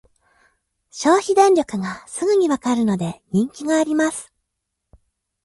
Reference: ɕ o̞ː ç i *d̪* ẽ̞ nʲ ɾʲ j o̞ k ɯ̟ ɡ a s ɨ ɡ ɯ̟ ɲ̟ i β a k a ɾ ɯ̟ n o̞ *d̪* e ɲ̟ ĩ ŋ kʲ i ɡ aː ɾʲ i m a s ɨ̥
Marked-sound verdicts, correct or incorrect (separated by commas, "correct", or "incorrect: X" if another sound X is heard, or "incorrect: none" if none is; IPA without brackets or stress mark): correct, correct